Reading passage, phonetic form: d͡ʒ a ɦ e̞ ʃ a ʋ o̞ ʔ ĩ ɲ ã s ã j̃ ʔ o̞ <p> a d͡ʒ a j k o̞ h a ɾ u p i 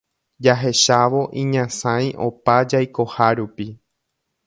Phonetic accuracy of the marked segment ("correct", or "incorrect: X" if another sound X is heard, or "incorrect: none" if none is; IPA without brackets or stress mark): correct